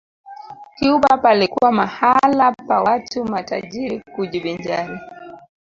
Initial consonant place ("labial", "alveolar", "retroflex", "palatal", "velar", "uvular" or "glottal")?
velar